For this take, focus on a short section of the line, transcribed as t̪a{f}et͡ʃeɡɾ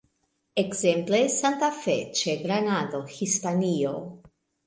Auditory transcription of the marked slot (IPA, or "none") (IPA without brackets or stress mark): f